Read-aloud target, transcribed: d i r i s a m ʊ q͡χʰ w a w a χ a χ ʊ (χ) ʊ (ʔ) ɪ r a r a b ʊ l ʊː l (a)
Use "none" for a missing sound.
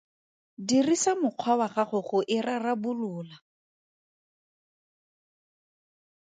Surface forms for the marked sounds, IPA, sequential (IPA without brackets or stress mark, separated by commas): χ, ʔ, a